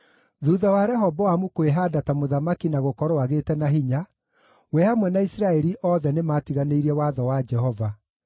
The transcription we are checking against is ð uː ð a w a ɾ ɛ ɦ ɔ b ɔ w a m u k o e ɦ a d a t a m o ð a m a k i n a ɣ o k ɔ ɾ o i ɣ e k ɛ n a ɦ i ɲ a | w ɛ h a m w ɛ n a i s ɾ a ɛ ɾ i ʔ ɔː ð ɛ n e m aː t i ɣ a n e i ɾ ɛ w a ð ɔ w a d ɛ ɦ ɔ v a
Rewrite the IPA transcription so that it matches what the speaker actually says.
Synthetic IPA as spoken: ð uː ð a w a ɾ ɛ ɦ ɔ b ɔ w a m u k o e ɦ a d a t a m o ð a m a k i n a ɣ o k ɔ ɾ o a ɣ e t ɛ n a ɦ i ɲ a | w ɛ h a m w ɛ n a i s ɾ a ɛ ɾ i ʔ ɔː ð ɛ n e m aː t i ɣ a n e i ɾ ɛ w a ð ɔ w a d͡ʒ ɛ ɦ ɔ v a